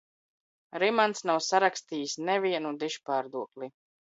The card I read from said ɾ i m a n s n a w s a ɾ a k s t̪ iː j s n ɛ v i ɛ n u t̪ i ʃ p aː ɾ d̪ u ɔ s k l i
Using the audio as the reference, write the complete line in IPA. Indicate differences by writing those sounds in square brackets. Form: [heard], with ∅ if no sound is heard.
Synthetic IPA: ɾ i m a n s n a w s a ɾ a k s t̪ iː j s n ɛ v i ɛ n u [d̪] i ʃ p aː ɾ d̪ u ɔ [∅] k l i